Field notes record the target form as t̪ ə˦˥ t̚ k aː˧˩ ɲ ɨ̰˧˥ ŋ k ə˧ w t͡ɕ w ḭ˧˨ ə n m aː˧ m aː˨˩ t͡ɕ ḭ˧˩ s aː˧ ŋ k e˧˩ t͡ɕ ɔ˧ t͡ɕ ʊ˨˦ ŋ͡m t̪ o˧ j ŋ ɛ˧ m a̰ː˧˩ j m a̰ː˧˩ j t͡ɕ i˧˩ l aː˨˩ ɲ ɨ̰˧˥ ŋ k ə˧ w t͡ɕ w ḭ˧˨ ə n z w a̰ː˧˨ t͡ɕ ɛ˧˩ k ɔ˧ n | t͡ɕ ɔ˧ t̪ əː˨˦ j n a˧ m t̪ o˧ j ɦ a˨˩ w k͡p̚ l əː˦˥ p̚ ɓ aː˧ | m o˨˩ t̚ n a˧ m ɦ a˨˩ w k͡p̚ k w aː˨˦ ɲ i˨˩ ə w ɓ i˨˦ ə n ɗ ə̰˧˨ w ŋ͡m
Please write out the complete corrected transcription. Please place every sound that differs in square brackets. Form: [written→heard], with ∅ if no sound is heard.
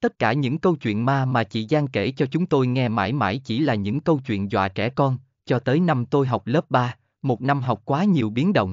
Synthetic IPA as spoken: t̪ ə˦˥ t̚ k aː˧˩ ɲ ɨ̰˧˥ ŋ k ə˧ w t͡ɕ w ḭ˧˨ ə n m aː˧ m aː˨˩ t͡ɕ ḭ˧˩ [s→z] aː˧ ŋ k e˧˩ t͡ɕ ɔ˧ t͡ɕ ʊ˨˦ ŋ͡m t̪ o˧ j ŋ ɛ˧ m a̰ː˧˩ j m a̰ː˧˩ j t͡ɕ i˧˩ l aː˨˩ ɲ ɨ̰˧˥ ŋ k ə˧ w t͡ɕ w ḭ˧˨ ə n z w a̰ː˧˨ t͡ɕ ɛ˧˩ k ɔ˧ n | t͡ɕ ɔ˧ t̪ əː˨˦ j n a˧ m t̪ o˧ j ɦ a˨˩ w k͡p̚ l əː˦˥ p̚ ɓ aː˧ | m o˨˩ t̚ n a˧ m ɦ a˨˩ w k͡p̚ k w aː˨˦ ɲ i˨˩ ə w ɓ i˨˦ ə n ɗ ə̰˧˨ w ŋ͡m